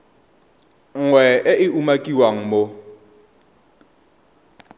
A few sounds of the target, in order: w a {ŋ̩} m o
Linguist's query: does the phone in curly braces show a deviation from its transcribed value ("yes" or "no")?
no